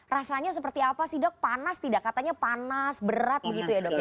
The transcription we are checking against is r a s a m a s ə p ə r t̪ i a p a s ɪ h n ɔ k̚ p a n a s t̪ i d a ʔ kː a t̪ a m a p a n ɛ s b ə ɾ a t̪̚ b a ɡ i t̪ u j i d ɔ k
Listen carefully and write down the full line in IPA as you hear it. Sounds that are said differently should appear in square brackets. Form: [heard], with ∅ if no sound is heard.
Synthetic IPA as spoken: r a s a [ɲ] a s ə p ə r t̪ i a p a s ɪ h [d] ɔ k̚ p a n a s t̪ i d a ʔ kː a t̪ a [ɲ] a p a n [a] s b ə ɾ a t̪̚ b [ə] ɡ i t̪ u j [a] d ɔ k